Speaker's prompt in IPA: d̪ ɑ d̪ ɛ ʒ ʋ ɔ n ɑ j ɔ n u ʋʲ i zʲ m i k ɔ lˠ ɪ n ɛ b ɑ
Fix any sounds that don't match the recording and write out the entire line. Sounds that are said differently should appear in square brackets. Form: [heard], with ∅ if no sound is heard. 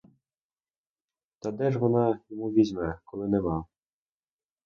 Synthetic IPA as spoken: [t̪] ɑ d̪ ɛ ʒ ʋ ɔ n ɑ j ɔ [m] u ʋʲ i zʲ m [ɛ] k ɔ lˠ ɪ n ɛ [m] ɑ